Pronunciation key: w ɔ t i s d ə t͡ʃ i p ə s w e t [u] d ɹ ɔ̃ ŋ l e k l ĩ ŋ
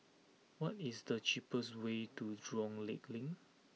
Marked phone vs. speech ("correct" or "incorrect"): correct